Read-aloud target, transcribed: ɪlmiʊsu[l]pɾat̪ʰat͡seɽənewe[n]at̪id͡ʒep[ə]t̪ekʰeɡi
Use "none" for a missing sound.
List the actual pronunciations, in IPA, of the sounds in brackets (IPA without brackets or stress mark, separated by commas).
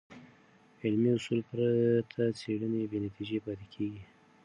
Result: l, n, ɑ